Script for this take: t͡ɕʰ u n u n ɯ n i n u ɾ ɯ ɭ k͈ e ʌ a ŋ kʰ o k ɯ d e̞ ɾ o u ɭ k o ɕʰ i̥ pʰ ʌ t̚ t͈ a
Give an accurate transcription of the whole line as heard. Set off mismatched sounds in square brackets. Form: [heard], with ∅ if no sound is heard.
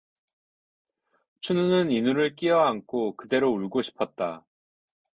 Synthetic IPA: t͡ɕʰ u n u n ɯ n i n u ɾ ɯ ɭ k͈ [i] ʌ a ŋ kʰ o k ɯ d e̞ ɾ o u ɭ [ɡ] o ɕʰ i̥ pʰ ʌ t̚ t͈ a